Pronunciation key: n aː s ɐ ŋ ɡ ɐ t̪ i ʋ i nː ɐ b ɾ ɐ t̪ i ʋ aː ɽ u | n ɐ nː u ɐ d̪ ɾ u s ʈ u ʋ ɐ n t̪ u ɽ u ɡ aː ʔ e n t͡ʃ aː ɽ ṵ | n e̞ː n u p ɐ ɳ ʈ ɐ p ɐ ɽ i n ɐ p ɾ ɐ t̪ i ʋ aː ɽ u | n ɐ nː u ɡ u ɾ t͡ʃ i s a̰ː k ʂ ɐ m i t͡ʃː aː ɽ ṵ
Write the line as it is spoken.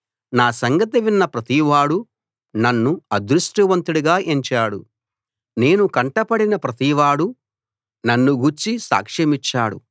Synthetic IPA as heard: n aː s ɐ ŋ ɡ ɐ t̪ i ʋ i nː ɐ p ɾ ɐ t̪ i ʋ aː ɽ u | n ɐ nː u ɐ d̪ ɾ u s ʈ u ʋ ɐ n t̪ u ɽ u ɡ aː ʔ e ɲ t͡ʃ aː ɽ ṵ | n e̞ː n u k ɐ ɳ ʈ ɐ p ɐ ɽ i n ɐ p ɾ ɐ t̪ i ʋ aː ɽ u | n ɐ nː u ɡ u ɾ t͡ʃ i s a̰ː k ʂ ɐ m i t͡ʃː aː ɽ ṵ